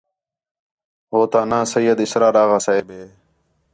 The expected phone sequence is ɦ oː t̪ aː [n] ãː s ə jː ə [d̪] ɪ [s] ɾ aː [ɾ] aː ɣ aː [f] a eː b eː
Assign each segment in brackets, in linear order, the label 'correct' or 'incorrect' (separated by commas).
correct, correct, correct, correct, incorrect